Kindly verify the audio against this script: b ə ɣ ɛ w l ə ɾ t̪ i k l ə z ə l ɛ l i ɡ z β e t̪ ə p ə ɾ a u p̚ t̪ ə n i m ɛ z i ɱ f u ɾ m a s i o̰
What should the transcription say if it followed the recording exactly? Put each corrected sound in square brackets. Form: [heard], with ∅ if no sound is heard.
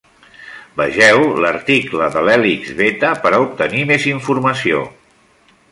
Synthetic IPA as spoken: b ə [ʒ] ɛ w l ə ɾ t̪ i k l ə [ð] ə l ɛ l i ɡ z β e t̪ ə p ə ɾ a u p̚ t̪ ə n i m [e] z i ɱ f u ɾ m [ə] s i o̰